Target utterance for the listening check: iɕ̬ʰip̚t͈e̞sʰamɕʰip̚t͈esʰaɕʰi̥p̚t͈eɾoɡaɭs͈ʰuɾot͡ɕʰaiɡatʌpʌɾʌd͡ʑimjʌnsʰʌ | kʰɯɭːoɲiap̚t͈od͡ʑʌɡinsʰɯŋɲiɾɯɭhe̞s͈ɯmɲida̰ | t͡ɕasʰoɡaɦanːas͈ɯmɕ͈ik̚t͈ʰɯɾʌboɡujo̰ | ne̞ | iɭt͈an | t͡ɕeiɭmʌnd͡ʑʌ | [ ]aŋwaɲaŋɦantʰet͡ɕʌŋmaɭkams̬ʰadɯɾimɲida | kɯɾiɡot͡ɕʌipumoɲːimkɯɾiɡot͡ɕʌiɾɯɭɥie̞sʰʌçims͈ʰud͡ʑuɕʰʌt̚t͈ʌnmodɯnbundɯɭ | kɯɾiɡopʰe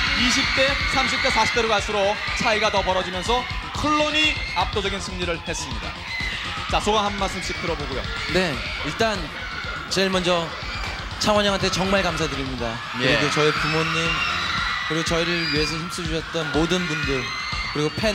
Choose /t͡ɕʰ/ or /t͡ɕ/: t͡ɕʰ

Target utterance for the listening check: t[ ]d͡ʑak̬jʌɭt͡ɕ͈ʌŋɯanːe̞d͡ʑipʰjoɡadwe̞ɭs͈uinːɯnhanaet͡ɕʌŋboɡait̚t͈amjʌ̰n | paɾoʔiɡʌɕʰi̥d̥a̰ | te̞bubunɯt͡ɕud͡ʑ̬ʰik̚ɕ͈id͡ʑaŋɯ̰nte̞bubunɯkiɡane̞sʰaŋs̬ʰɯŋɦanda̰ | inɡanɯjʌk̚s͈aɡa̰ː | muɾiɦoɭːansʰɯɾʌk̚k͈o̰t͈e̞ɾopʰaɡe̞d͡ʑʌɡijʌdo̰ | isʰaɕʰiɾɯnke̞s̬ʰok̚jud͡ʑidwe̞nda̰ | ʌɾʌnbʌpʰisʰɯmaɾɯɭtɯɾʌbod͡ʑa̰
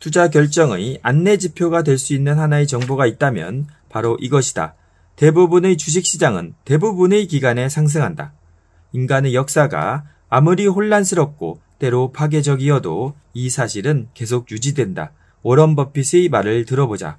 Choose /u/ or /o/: u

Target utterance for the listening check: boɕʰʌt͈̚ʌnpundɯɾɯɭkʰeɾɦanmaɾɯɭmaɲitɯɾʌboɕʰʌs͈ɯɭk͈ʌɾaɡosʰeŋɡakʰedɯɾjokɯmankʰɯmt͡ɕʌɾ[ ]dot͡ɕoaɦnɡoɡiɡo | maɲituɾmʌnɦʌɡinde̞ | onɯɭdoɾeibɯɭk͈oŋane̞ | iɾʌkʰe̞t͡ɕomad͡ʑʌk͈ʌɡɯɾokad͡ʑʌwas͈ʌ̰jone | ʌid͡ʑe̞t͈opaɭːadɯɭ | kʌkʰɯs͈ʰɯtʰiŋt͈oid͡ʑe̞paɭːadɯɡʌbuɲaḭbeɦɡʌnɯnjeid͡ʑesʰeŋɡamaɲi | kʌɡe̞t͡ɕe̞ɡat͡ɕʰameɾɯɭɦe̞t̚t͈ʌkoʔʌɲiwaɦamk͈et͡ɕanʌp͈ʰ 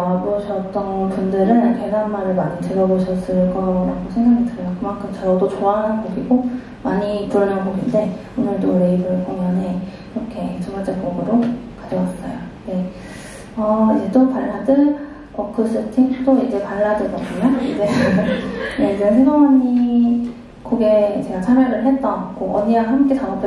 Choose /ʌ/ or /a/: ʌ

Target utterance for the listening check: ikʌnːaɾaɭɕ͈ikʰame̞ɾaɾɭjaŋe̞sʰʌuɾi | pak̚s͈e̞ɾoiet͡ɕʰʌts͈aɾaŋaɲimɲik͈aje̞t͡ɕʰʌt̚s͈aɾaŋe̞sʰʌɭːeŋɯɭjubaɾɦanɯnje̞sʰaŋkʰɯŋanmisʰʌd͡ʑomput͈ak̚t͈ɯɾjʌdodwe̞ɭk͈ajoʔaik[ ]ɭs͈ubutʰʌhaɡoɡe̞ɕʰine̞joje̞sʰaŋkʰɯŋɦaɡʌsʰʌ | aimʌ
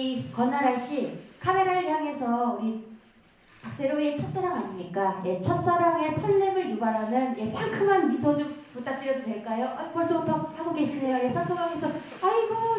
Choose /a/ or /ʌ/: ʌ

